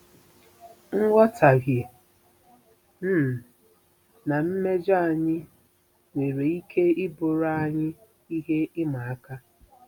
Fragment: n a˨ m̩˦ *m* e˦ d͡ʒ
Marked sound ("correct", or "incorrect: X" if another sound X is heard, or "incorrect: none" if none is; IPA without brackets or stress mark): correct